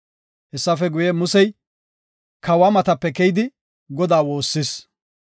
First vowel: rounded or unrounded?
unrounded